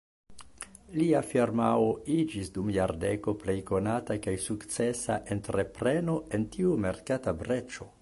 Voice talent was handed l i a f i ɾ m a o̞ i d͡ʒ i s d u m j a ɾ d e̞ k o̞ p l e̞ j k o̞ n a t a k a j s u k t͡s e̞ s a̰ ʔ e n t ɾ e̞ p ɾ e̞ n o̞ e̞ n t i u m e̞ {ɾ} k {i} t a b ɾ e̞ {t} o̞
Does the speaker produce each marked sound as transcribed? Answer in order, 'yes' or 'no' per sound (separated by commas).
yes, no, no